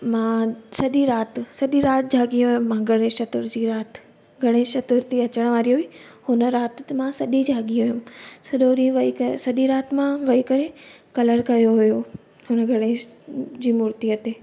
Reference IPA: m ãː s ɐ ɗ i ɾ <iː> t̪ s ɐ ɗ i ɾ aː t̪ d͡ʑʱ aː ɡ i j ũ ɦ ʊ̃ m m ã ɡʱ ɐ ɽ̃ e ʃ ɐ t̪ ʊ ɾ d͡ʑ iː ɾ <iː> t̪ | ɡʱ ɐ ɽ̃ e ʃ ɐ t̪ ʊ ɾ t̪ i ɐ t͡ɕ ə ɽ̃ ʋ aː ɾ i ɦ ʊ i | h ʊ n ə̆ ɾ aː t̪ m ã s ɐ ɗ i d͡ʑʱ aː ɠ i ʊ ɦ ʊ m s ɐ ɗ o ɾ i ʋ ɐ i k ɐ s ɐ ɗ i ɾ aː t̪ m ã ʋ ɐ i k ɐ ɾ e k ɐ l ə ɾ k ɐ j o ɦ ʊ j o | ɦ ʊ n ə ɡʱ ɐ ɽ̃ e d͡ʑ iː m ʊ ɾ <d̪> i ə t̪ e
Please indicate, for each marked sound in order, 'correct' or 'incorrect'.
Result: incorrect, incorrect, incorrect

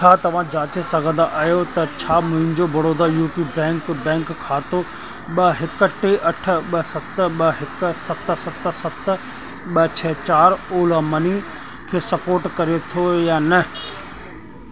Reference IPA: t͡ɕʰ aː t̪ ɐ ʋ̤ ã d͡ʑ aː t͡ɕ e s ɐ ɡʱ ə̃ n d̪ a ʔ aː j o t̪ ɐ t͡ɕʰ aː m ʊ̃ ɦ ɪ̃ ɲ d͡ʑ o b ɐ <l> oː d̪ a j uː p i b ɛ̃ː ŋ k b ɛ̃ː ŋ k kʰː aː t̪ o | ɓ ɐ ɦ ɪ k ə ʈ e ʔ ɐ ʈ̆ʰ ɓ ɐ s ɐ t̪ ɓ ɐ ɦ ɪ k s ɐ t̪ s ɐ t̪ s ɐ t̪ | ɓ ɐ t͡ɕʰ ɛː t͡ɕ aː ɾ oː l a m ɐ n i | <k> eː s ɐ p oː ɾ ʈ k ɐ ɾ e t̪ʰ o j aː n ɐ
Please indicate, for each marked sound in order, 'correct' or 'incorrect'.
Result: incorrect, incorrect

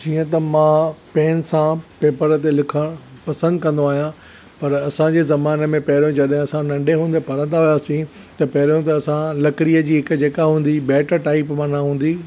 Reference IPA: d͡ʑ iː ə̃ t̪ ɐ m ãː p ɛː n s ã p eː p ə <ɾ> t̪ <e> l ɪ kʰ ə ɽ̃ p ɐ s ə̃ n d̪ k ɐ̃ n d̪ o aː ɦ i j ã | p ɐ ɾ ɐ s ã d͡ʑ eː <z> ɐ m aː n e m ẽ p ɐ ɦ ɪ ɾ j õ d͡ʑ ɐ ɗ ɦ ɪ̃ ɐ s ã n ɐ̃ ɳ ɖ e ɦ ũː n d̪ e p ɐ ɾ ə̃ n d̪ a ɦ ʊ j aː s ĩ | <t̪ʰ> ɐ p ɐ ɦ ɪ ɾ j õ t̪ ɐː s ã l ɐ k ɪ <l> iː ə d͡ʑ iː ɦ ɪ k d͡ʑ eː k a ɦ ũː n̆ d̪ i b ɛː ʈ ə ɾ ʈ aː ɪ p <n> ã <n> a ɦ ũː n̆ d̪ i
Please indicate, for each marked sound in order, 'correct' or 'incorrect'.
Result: correct, correct, correct, incorrect, incorrect, incorrect, correct

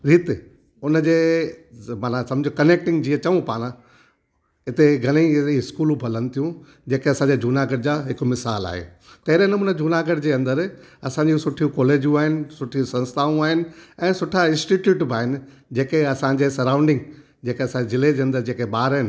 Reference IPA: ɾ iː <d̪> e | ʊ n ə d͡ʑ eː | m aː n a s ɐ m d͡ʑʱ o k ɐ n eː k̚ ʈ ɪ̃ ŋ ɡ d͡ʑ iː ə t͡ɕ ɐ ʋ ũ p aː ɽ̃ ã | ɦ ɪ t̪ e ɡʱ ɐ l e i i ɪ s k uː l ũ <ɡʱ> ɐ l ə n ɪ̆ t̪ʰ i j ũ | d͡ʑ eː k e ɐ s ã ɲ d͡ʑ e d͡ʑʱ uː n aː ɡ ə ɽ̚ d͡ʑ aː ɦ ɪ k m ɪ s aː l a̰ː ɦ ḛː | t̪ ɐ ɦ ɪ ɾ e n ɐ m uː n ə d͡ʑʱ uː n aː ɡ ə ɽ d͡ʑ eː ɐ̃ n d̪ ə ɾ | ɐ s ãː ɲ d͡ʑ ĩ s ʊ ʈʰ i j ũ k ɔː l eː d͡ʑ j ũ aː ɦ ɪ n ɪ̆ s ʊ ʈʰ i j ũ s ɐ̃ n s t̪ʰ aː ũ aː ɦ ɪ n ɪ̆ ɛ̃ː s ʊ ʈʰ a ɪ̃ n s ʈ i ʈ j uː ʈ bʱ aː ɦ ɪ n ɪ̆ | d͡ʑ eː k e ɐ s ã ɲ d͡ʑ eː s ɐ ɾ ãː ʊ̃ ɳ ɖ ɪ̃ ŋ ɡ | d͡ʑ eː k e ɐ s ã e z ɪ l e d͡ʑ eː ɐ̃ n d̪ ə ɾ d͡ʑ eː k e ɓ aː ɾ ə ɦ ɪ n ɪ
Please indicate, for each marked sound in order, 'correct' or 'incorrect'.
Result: incorrect, incorrect

